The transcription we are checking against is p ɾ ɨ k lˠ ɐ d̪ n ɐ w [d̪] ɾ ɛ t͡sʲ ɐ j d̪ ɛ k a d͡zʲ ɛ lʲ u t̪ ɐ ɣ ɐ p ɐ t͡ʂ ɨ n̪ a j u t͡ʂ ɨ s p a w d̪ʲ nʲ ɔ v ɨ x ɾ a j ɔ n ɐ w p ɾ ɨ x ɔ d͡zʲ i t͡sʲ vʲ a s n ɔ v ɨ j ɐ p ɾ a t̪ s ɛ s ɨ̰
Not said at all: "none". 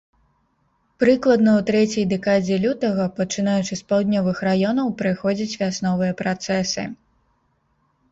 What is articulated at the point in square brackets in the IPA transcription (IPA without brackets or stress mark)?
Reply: t̪